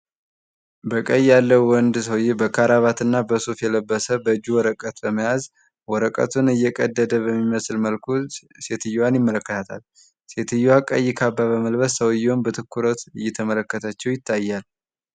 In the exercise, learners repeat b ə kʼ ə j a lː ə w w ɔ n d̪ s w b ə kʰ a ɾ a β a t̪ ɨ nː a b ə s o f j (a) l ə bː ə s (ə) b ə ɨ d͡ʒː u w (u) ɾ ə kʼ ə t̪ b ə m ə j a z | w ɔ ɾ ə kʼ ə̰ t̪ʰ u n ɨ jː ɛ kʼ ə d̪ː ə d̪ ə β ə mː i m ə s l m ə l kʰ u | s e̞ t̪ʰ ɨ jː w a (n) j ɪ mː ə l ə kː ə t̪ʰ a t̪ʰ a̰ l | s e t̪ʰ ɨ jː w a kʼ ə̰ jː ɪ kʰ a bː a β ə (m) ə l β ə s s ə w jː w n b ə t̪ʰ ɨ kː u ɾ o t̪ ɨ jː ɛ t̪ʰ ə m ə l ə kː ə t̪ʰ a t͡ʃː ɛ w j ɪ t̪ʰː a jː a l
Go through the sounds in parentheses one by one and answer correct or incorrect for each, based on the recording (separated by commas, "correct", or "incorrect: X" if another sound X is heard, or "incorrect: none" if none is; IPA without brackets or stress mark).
incorrect: ɛ, correct, incorrect: ɔ, correct, correct